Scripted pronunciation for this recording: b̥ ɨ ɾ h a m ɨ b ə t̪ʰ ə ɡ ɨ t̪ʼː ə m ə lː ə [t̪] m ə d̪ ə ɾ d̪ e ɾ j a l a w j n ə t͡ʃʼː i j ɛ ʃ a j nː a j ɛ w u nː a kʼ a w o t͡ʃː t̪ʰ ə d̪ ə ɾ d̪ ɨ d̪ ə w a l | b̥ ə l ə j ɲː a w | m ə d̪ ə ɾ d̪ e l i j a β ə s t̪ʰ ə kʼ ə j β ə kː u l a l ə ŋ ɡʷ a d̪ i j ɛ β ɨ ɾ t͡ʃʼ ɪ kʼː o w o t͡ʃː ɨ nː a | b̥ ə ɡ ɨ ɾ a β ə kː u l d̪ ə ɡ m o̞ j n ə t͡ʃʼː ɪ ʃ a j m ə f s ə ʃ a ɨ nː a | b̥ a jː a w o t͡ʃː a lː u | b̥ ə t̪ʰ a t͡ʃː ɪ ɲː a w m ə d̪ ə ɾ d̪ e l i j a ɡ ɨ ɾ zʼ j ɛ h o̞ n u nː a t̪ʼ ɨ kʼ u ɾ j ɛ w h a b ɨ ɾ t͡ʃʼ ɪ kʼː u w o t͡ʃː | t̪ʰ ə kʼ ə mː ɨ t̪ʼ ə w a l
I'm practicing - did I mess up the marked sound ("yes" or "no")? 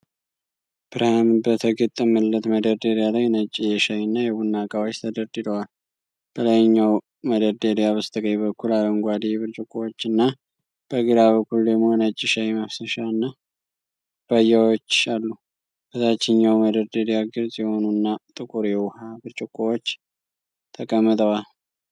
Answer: no